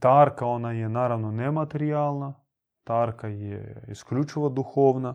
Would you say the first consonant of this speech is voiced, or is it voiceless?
voiceless